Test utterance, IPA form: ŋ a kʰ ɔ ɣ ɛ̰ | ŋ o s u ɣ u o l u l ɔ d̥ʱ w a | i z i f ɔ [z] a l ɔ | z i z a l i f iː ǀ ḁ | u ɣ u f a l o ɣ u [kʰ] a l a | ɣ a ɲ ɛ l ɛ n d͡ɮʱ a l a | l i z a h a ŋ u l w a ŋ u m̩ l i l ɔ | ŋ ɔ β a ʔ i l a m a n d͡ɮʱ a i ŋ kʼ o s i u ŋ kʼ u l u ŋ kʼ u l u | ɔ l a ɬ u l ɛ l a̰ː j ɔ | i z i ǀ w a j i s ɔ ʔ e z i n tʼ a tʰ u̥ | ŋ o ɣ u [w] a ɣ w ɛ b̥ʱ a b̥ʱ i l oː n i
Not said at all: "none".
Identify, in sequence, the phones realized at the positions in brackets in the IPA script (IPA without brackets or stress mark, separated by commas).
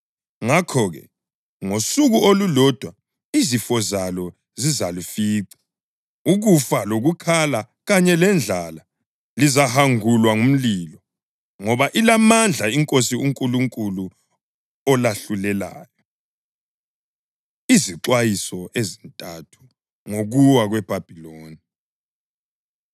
z, kʰ, w